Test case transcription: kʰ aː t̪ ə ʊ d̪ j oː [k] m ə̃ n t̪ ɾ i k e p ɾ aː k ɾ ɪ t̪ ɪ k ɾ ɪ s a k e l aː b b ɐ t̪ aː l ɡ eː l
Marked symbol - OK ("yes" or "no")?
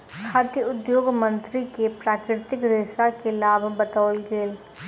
no